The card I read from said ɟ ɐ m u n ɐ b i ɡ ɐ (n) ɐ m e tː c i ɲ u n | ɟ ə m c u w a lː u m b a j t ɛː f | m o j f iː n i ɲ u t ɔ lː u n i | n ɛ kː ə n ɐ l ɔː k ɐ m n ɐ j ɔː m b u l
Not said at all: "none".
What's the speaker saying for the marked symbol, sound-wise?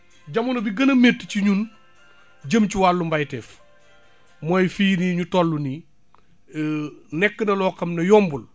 n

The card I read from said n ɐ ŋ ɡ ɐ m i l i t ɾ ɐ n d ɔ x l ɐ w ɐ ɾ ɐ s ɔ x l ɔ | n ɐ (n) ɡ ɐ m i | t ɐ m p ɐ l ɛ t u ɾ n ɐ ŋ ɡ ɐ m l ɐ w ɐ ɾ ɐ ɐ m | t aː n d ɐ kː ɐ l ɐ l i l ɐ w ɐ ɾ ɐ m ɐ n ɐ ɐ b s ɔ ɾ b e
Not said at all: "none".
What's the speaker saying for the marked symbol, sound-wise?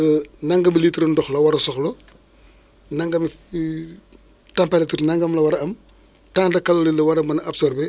ŋ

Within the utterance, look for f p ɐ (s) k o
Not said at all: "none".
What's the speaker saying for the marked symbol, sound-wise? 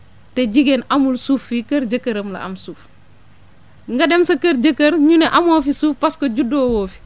s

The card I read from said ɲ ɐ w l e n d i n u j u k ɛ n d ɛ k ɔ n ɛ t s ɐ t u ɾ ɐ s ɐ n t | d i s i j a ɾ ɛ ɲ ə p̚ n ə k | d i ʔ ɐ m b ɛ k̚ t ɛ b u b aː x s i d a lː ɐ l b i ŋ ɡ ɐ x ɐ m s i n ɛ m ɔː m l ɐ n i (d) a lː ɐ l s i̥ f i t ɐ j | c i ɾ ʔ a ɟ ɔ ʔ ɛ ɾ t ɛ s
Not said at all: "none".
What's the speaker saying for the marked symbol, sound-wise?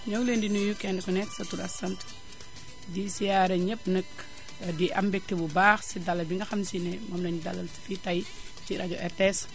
d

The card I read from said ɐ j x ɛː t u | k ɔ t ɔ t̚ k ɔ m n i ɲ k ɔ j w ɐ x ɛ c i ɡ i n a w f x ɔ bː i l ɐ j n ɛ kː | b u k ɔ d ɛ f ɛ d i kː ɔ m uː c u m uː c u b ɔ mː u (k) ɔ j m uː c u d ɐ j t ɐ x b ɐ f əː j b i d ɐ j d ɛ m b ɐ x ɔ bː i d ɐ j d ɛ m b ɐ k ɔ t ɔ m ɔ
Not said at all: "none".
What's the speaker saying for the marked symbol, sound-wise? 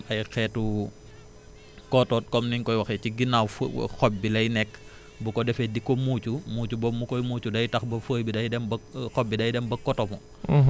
k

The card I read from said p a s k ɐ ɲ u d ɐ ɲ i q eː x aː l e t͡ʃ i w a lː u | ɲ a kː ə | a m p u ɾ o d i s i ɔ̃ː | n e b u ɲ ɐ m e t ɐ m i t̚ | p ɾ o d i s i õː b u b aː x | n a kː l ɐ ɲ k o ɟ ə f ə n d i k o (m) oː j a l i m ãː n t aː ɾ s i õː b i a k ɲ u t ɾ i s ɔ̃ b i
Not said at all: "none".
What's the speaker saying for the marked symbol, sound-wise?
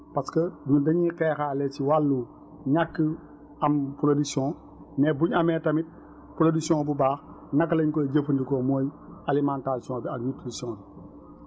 m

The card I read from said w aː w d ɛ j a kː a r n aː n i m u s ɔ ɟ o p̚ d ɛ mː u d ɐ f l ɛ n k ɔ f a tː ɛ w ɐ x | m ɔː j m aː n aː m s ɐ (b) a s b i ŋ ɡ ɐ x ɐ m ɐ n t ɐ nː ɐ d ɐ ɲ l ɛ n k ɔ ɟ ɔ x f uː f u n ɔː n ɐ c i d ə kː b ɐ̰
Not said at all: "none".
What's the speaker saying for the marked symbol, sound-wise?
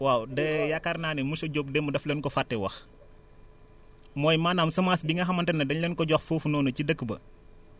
m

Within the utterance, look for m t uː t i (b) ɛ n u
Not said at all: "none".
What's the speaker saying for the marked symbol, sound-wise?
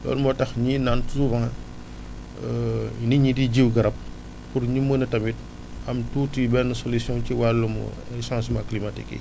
b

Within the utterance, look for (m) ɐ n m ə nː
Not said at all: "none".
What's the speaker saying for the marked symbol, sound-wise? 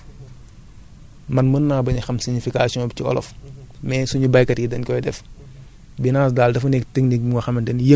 m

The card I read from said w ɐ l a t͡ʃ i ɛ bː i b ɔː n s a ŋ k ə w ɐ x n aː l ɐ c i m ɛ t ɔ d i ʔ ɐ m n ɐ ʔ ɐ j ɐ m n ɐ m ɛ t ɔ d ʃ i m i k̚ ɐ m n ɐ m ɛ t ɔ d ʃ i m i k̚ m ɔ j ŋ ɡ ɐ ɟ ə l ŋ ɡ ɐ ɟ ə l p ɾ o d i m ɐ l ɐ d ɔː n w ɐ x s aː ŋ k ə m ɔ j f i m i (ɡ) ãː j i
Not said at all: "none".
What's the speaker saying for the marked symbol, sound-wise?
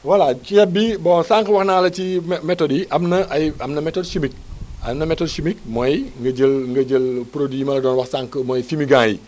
ɡ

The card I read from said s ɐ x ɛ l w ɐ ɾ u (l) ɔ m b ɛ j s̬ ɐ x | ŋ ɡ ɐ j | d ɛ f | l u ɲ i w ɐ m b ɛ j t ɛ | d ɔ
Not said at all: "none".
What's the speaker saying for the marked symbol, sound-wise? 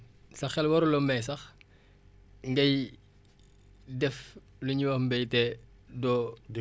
l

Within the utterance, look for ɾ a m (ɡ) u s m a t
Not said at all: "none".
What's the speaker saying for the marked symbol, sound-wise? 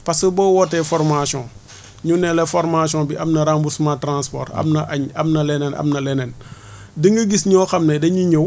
b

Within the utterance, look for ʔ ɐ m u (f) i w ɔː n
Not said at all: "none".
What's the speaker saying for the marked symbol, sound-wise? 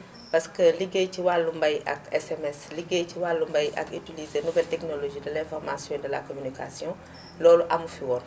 f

